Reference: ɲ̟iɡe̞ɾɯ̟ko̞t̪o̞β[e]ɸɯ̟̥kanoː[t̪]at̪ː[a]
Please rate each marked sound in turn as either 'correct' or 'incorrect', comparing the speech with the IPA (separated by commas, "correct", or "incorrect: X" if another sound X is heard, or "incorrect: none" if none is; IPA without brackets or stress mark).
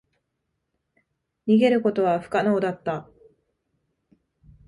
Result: incorrect: a, incorrect: d̪, correct